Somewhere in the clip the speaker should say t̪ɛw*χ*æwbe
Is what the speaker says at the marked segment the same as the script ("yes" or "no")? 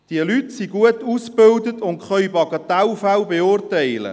no